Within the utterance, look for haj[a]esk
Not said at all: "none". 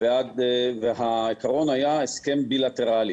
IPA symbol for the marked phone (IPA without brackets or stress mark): a